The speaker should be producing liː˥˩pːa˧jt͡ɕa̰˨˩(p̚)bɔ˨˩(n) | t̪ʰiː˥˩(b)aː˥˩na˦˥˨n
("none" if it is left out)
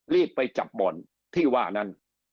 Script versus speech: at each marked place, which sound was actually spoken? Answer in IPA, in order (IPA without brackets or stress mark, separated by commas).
p̚, n, w